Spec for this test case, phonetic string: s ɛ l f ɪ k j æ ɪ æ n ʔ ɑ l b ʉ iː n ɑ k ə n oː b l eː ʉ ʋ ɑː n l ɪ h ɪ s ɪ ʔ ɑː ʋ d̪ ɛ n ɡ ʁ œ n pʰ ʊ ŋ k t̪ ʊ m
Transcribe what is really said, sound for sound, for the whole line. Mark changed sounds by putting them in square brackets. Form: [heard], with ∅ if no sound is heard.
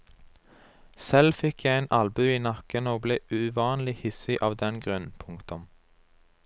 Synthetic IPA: s ɛ l f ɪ k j æ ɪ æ n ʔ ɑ l b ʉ iː n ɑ k ə n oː b l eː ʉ ʋ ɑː n l ɪ h ɪ s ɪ ʔ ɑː ʋ d̪ ɛ n ɡ ʁ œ n pʰ ʊ ŋ k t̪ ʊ m